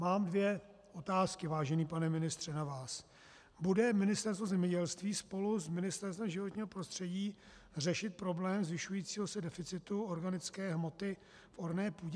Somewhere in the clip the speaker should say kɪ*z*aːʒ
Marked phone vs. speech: incorrect: v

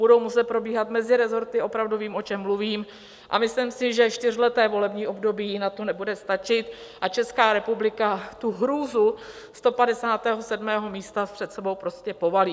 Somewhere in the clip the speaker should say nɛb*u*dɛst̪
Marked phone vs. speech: correct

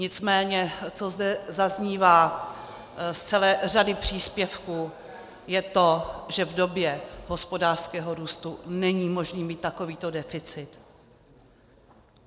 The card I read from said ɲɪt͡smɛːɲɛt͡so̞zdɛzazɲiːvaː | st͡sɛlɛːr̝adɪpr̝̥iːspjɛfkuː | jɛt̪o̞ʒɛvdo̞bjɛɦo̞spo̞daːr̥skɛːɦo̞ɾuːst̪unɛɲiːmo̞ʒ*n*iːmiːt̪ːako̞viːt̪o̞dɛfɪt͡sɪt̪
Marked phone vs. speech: correct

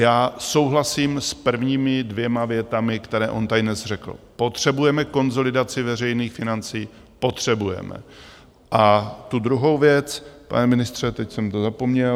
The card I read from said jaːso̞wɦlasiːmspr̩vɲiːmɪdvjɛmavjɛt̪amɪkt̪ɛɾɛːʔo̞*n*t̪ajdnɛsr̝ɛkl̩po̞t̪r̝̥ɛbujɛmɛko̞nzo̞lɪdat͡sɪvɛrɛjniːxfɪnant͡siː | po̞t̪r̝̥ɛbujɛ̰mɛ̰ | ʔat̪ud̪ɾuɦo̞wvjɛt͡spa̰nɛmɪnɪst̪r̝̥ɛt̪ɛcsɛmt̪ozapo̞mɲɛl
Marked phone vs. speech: correct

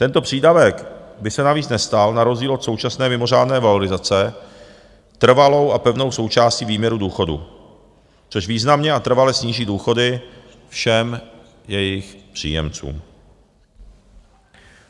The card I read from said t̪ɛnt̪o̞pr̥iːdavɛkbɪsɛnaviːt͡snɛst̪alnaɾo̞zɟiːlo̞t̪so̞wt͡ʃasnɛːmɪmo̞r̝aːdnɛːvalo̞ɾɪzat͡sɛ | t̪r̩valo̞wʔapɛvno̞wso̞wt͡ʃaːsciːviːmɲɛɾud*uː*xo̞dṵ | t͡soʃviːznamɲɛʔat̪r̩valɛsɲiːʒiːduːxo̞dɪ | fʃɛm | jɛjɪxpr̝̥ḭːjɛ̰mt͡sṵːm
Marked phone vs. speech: correct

